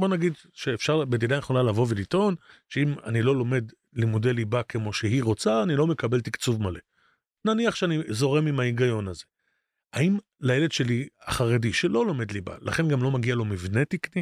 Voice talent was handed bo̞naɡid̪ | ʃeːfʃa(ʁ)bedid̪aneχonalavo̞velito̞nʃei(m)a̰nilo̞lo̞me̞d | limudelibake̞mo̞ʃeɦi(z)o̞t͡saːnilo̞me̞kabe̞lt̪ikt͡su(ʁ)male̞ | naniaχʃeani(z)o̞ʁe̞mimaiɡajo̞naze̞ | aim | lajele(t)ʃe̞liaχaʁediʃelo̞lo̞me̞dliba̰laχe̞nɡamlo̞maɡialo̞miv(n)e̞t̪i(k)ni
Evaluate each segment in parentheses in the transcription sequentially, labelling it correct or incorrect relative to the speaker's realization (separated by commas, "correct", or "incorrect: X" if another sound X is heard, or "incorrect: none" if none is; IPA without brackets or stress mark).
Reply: correct, correct, incorrect: ʁ, incorrect: v, correct, incorrect: d, correct, correct